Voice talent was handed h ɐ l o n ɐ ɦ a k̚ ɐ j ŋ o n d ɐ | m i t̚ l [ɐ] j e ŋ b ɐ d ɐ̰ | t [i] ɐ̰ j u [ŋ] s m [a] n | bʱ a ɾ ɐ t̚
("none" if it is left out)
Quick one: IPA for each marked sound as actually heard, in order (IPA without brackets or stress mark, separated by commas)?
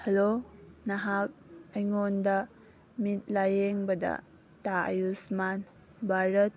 a, a, none, a